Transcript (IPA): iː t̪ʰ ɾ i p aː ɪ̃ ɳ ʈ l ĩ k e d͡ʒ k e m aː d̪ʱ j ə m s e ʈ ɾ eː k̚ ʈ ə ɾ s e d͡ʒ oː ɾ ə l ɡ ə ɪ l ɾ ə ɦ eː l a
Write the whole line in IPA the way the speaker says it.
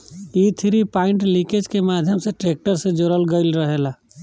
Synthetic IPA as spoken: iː t̪ʰ ɾ i p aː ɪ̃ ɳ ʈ l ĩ k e d͡ʒ k e m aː d̪ʱ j ə m s e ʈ ɾ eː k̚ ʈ ə ɾ s e d͡ʒ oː ɾ ə l ɡ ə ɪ l ɾ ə ɦ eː l a